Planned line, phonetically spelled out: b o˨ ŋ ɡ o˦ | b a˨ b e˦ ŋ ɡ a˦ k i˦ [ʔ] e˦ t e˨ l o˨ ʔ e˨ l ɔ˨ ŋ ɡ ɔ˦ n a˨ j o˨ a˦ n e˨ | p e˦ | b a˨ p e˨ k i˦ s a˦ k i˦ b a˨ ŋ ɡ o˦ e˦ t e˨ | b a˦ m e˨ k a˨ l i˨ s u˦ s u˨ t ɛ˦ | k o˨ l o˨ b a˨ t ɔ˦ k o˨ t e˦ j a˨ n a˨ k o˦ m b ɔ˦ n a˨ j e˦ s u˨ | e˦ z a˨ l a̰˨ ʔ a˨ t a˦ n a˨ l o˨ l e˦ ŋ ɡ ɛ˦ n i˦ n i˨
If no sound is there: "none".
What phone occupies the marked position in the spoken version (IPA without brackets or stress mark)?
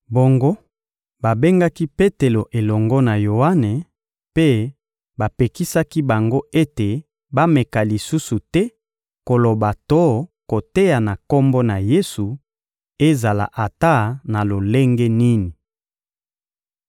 p